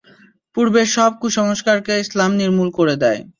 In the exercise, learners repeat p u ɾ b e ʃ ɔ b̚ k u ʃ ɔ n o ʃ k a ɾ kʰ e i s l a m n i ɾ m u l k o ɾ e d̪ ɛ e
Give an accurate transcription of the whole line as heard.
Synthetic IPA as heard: p u ɾ b e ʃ ɔ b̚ k u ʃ ɔ ŋ o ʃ k a ɾ k e i s l a m n i ɾ m u l k o ɾ e d̪ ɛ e